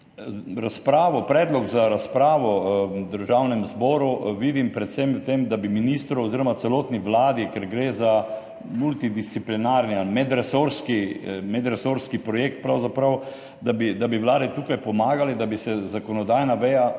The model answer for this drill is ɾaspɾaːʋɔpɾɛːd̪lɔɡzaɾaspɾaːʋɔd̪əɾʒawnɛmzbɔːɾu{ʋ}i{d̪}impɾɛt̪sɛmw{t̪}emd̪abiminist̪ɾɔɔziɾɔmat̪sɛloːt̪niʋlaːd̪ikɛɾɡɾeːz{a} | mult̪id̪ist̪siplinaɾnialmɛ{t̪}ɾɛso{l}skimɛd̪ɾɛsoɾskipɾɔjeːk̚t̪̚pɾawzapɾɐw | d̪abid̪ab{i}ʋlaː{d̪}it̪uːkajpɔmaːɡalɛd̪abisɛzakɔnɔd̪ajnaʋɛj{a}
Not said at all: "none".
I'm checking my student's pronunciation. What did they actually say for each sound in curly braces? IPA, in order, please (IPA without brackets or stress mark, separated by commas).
ʋ, d̪, t̪, a, d̪, ɾ, i, d̪, a